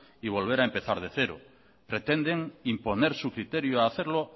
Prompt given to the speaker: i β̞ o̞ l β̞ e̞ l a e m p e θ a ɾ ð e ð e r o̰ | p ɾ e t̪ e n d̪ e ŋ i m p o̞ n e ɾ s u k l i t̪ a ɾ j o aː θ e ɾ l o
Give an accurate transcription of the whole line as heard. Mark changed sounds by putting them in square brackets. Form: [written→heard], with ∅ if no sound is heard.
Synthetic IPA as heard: i β̞ o̞ l β̞ e̞ [l→ɾ] a e m p e θ a ɾ ð e [ð→θ] e [r→ɾ] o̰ | p ɾ e t̪ e n d̪ e ŋ i m p o̞ n e ɾ s u k [l→ɾ] i t̪ [a→e] ɾ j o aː θ e ɾ l o

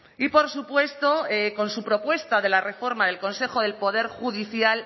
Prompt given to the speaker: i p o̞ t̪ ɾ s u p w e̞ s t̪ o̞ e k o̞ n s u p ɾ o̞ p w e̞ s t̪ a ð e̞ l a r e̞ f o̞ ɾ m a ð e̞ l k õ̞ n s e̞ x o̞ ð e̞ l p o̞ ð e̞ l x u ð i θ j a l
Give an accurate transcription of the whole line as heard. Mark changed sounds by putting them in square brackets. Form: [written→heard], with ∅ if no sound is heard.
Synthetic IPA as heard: i p o̞ [t̪→∅] ɾ s u p w e̞ s t̪ o̞ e k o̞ n s u p ɾ o̞ p w e̞ s t̪ a ð e̞ l a r e̞ f o̞ ɾ m a ð e̞ l k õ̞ n s e̞ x o̞ ð e̞ l p o̞ ð e̞ [l→ɾ] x u ð i θ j a l

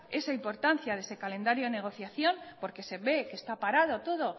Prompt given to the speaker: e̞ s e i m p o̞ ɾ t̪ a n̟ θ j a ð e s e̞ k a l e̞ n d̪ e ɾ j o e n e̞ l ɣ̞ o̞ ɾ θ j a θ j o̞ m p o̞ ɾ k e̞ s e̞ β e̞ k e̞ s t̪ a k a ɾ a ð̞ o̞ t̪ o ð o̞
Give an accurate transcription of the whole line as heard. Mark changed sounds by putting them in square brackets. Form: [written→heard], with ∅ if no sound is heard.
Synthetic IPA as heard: e̞ s [e→a] i m p o̞ ɾ t̪ a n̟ θ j a ð e s e̞ k a l e̞ n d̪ [e→a] ɾ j o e n e̞ [l→∅] ɣ̞ o̞ [ɾ→∅] θ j a θ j o̞ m p o̞ ɾ k e̞ s e̞ β e̞ k e̞ s t̪ a [k→p] a ɾ a ð̞ o̞ t̪ o ð o̞

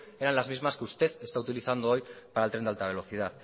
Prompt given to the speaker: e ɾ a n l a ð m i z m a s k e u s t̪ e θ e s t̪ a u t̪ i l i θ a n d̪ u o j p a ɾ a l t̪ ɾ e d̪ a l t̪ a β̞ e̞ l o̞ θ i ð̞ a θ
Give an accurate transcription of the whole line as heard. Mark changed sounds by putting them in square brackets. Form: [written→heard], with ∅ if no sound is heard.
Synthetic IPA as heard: e ɾ a n l a [ð→z] m i z m a s k e u s t̪ e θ e s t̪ a u t̪ i l i θ a n d̪ [u→o] o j p a ɾ a l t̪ ɾ e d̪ a l t̪ a β̞ e̞ l o̞ θ i ð̞ a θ

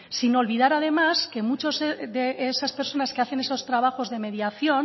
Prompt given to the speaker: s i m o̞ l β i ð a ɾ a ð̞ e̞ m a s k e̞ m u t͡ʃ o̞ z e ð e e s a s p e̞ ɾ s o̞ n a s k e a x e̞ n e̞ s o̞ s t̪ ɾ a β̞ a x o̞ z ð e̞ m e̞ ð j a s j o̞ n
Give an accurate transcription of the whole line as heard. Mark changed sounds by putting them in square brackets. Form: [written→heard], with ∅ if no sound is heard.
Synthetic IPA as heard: s i [m→n] o̞ l β i ð a ɾ a ð̞ e̞ m a s k e̞ m u t͡ʃ o̞ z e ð e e s a s p e̞ ɾ s o̞ n a s k e a [x→θ] e̞ n e̞ s o̞ s t̪ ɾ a β̞ a x o̞ z ð e̞ m e̞ ð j a [s→θ] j o̞ n

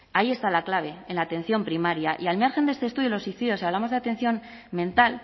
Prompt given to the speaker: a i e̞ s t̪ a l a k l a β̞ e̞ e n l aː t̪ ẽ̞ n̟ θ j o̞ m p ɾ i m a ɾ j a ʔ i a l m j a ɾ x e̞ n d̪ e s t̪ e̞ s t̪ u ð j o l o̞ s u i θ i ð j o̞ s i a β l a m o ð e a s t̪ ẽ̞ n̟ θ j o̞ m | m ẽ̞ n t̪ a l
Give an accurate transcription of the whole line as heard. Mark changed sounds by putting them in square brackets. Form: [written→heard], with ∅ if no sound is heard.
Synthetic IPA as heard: a i e̞ s t̪ a l a k l a β̞ e̞ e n l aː t̪ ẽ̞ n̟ θ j o̞ m p ɾ i m a ɾ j a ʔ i a l m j a ɾ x e̞ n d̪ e s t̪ e̞ s t̪ u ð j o l o̞ s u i θ i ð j o̞ s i a β l a m o ð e a [s→∅] t̪ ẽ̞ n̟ θ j o̞ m | m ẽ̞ n t̪ a l

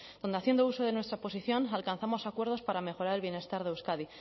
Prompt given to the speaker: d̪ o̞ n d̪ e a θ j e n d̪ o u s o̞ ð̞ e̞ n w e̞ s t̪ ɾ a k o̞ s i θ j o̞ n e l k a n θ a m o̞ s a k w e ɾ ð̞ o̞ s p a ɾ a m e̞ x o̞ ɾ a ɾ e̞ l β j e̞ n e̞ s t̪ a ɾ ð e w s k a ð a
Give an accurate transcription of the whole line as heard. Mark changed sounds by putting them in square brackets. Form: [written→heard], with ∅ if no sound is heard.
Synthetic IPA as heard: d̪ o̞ n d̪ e a θ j e n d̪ o u s o̞ ð̞ e̞ n w e̞ s t̪ ɾ a [k→p] o̞ s i θ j o̞ n [e→a] l k a n θ a m o̞ s a k w e ɾ ð̞ o̞ s p a ɾ a m e̞ x o̞ ɾ a ɾ e̞ l β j e̞ n e̞ s t̪ a ɾ ð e w s k a ð [a→i]

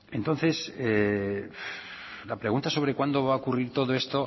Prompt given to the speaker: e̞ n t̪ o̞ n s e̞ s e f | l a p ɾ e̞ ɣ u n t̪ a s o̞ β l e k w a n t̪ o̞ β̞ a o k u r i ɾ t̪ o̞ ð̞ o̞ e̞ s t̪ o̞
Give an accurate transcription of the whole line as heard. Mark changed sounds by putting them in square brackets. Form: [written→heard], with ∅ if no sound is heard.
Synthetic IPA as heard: e̞ n t̪ o̞ n [s→θ] e̞ s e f | l a p ɾ e̞ ɣ u n t̪ a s o̞ β [l→ɾ] e k w a n [t̪→d̪] o̞ β̞ a o k u r i ɾ t̪ o̞ ð̞ o̞ e̞ s t̪ o̞

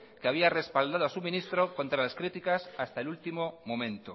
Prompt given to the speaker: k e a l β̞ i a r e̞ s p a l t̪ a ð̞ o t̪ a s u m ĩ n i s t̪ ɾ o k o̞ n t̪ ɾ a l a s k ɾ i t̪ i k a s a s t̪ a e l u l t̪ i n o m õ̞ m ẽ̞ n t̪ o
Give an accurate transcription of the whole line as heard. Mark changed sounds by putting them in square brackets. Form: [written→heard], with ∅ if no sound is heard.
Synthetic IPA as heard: k e a [l→∅] β̞ i a r e̞ s p a l [t̪→d̪] a ð̞ o [t̪→∅] a s u m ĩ n i s t̪ ɾ o k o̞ n t̪ ɾ a l a s k ɾ i t̪ i k a s a s t̪ a e l u l t̪ i [n→m] o m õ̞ m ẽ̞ n t̪ o

